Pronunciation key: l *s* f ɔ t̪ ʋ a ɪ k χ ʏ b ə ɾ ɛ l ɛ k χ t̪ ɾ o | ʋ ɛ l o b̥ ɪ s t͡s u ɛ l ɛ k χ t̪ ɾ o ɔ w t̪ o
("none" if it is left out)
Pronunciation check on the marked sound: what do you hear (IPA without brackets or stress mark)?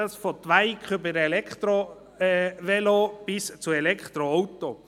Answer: s